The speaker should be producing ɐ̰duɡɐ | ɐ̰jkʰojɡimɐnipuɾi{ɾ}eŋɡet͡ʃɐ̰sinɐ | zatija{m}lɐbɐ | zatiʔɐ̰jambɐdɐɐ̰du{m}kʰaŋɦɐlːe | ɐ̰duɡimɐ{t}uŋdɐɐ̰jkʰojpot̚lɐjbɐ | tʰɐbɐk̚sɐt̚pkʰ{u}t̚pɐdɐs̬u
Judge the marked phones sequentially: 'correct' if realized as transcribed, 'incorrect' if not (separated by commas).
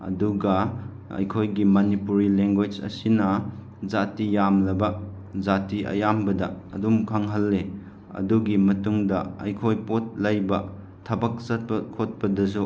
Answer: incorrect, correct, correct, correct, incorrect